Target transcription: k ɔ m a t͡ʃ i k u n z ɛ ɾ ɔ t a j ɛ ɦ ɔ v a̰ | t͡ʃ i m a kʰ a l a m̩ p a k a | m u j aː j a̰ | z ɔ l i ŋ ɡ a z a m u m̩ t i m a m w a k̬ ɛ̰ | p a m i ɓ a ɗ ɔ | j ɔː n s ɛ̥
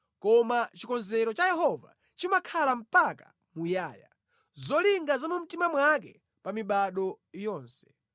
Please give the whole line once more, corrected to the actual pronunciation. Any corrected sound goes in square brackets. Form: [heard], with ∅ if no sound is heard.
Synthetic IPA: k ɔ m a t͡ʃ i k [ɔ] n z ɛ ɾ ɔ [t͡ʃ] a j ɛ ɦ ɔ v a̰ | t͡ʃ i m a kʰ a l a m̩ p a k a | m u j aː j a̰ | z ɔ l i ŋ ɡ a z a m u m̩ t i m a m w a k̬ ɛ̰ | p a m i ɓ a ɗ ɔ | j ɔː n s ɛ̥